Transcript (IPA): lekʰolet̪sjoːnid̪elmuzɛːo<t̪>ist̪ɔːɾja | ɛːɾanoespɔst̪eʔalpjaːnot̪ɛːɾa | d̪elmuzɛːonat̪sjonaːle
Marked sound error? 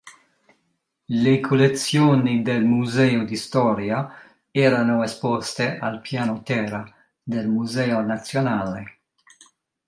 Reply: yes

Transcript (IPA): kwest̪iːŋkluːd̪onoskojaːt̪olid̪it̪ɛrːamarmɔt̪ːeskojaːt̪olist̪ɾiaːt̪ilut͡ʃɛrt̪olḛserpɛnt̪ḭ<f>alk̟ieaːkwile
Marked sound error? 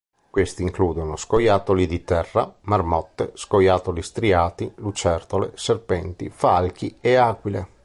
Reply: no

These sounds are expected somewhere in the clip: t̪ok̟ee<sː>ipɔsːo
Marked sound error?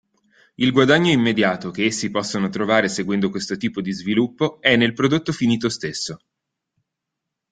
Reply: no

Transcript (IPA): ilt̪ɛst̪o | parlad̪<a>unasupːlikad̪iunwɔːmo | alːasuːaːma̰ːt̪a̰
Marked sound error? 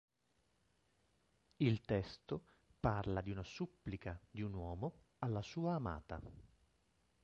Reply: yes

